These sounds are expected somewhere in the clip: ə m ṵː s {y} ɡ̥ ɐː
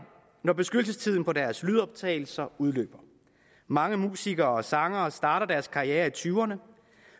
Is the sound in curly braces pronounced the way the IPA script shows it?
no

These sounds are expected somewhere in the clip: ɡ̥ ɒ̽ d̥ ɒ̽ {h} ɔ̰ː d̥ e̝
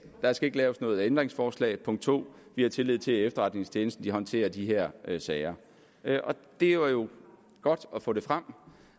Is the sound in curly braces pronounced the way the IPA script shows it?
no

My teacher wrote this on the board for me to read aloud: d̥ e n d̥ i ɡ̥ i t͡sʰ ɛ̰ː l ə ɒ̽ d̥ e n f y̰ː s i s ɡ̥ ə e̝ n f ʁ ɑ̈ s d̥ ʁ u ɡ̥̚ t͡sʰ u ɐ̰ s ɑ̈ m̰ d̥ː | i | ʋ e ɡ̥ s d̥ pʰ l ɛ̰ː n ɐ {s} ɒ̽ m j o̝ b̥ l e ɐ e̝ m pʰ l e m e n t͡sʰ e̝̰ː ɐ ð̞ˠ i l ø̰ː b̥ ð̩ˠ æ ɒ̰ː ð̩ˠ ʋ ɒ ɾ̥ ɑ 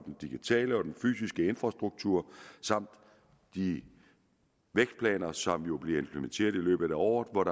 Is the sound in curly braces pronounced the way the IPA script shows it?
yes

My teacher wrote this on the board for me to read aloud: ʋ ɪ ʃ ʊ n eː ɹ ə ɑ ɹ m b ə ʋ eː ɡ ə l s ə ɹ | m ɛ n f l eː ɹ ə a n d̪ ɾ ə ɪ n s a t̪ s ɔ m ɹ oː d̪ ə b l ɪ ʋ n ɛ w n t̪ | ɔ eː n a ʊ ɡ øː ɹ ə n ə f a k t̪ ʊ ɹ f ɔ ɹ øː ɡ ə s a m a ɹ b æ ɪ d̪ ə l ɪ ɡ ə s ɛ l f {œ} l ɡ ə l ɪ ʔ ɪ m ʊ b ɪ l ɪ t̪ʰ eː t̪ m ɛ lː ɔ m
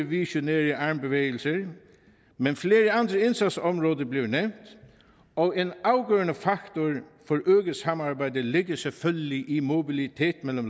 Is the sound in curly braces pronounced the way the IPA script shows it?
yes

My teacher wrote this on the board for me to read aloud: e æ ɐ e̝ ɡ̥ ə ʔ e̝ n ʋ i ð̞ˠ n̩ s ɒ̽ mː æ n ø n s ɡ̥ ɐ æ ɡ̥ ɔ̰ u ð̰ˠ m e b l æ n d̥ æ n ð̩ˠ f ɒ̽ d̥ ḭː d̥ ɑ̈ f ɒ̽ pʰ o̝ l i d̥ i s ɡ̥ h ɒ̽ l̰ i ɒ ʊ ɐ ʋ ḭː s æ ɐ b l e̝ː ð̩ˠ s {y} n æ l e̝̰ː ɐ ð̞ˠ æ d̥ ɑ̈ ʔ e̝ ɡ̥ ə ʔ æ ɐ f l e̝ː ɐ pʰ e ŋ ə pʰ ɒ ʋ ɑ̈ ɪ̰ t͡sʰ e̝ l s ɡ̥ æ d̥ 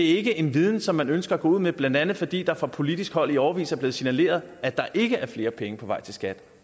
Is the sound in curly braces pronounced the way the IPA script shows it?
no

